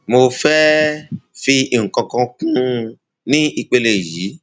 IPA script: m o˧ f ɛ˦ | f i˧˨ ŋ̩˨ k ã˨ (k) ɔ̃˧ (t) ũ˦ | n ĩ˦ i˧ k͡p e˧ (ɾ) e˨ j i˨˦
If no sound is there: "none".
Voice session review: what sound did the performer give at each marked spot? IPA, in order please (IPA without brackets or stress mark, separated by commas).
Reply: k, k, l